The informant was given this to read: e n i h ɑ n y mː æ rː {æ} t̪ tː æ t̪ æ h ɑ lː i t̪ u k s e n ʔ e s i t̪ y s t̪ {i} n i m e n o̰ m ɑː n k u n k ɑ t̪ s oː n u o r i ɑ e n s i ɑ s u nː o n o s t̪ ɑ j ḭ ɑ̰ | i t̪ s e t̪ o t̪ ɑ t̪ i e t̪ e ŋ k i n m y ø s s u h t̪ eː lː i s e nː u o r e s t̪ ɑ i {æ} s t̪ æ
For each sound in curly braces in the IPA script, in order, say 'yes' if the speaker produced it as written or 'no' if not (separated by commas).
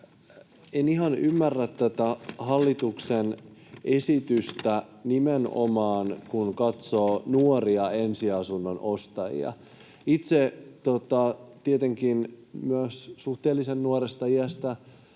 yes, no, yes